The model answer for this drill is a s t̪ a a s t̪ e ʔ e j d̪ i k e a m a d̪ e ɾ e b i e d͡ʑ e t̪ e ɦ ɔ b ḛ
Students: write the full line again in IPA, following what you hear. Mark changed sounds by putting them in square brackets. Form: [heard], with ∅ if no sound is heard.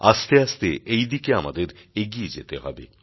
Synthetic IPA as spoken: a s t̪ [e] a s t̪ e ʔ e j d̪ i k e a m a d̪ e ɾ e [ɡ] i e d͡ʑ e t̪ e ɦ ɔ b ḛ